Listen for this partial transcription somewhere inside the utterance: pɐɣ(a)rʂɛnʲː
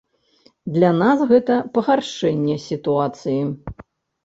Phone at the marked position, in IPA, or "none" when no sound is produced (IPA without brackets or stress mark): a